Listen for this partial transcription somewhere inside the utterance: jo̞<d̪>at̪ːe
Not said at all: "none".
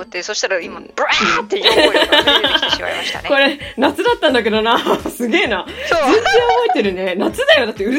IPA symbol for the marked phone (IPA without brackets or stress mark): d̪